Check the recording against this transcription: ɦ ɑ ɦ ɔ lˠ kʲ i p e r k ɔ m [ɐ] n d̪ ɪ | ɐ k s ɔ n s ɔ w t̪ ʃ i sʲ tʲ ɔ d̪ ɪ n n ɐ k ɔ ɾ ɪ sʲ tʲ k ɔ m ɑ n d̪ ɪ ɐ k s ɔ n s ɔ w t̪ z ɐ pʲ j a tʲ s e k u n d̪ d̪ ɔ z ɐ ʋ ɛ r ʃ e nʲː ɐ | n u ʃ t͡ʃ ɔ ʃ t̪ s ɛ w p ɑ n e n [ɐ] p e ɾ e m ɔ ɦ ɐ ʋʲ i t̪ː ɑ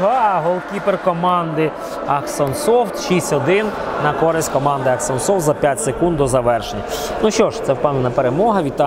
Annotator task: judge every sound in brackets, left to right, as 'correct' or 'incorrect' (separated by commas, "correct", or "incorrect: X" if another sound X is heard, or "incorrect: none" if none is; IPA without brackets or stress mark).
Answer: incorrect: ɑ, correct